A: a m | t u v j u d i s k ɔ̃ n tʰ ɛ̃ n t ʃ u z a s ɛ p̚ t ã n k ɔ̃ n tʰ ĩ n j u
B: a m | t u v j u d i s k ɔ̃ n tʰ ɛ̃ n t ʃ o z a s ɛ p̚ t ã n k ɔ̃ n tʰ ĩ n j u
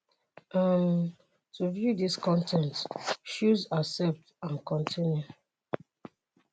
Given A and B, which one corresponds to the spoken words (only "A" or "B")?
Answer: A